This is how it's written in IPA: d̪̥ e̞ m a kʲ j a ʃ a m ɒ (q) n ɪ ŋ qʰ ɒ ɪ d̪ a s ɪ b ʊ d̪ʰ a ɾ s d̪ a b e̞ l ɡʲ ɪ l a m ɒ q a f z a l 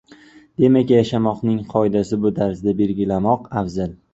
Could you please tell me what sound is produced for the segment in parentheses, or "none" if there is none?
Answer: q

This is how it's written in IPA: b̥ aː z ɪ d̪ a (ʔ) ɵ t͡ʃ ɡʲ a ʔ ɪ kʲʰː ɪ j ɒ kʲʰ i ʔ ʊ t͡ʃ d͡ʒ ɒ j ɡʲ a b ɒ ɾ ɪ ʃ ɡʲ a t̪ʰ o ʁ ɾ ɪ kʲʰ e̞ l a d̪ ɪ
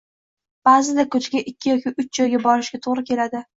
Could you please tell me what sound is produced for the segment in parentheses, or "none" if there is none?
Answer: k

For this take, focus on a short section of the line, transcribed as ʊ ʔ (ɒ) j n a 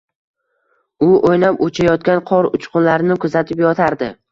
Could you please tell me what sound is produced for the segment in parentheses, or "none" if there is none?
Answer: o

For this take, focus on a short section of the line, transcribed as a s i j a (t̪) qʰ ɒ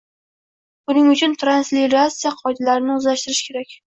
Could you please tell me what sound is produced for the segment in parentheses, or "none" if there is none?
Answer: none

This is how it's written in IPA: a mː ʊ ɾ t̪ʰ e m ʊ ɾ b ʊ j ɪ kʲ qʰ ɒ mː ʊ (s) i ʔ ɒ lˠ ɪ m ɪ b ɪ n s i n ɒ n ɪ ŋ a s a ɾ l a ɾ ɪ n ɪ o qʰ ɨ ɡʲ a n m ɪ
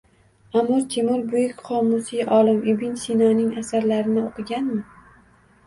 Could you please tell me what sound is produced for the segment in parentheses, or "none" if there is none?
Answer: s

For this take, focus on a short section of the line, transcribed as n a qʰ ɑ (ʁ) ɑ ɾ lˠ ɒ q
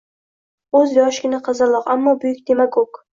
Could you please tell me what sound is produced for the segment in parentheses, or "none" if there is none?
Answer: z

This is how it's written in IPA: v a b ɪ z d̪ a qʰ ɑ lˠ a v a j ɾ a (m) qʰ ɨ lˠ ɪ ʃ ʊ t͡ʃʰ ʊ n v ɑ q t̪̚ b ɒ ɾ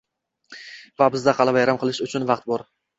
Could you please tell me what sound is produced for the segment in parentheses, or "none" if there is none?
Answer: m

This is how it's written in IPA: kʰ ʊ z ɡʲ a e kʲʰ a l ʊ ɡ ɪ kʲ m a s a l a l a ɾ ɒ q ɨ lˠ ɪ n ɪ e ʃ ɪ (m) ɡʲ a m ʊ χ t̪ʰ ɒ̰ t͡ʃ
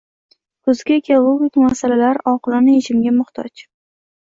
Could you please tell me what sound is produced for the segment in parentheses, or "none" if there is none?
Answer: m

